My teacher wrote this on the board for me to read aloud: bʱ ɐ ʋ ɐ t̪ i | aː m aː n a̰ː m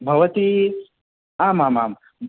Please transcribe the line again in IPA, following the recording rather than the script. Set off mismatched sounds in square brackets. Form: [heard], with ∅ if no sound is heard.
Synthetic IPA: bʱ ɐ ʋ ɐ t̪ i | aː m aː [m] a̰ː m